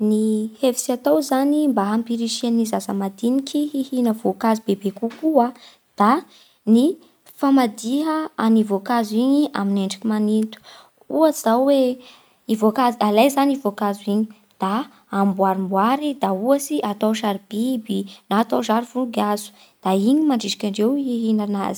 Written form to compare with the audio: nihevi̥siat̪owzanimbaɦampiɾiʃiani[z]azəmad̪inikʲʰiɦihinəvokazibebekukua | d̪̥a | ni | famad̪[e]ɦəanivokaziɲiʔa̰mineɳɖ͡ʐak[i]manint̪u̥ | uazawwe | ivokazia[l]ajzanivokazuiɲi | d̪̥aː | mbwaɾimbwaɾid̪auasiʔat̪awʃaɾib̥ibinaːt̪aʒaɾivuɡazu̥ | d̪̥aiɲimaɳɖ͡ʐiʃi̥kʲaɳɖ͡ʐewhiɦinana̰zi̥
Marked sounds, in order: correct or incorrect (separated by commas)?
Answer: correct, incorrect, correct, correct